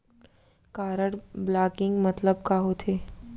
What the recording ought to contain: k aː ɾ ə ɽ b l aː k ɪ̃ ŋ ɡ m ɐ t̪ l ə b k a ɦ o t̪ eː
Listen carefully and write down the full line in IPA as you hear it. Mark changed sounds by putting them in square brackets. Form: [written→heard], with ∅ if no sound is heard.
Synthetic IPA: k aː ɾ ə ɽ b l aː k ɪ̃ ŋ ɡ m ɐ t̪ l ə b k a ɦ o [t̪→t̪ʰ] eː